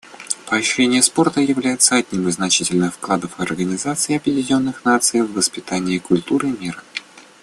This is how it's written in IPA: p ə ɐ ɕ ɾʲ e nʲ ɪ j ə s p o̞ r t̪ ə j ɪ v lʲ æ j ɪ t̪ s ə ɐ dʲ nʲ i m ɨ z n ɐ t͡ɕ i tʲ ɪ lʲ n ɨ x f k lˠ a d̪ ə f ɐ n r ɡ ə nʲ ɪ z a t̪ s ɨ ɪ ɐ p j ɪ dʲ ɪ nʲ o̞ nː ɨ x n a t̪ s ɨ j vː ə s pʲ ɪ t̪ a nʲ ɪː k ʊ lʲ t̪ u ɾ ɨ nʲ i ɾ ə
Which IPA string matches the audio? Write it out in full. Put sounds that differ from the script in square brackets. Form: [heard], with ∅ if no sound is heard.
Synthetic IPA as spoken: p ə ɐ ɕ ɾʲ e nʲ ɪ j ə s p o̞ r t̪ ə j ɪ v lʲ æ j ɪ t̪ s ə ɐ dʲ nʲ i m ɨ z n ɐ t͡ɕ i tʲ ɪ lʲ n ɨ x f k lˠ a d̪ ə f ɐ [∅] r ɡ ə nʲ ɪ z a t̪ s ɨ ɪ ɐ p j ɪ dʲ ɪ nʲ o̞ nː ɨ x n a t̪ s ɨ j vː ə s pʲ ɪ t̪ a nʲ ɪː k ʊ lʲ t̪ u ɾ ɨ [mʲ] i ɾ ə